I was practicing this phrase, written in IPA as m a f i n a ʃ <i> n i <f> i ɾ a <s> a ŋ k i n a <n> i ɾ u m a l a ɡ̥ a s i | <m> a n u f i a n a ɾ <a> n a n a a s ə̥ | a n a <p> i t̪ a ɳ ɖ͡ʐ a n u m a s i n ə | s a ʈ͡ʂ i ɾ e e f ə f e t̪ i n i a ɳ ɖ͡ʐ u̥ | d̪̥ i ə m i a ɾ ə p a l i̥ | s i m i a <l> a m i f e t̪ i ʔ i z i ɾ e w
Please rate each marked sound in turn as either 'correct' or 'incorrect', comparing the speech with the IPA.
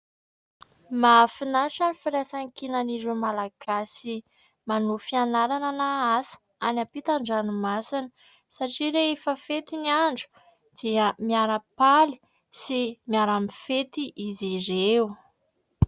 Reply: incorrect: a, correct, correct, correct, correct, correct, correct, incorrect: ɾ

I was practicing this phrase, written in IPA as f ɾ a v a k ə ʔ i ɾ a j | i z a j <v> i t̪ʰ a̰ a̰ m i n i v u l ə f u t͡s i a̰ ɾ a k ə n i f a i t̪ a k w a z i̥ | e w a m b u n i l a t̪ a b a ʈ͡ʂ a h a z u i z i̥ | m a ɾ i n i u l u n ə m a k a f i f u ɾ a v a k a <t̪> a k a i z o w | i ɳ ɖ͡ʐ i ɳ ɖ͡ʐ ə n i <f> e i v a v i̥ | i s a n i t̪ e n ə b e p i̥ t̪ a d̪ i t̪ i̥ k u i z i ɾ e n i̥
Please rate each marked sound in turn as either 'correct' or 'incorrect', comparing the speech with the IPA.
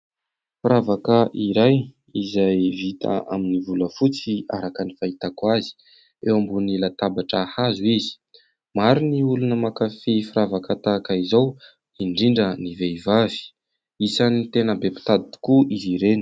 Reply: correct, correct, incorrect: v

